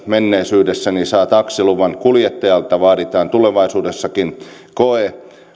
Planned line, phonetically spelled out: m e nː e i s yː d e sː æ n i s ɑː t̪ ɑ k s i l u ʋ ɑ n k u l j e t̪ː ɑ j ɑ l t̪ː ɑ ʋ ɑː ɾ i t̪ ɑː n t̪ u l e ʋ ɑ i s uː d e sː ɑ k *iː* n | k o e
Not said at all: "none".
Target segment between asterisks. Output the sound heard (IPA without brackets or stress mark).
i